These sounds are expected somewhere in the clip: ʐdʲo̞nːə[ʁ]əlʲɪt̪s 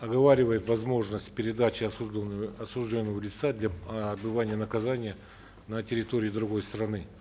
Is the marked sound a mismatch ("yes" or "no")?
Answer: yes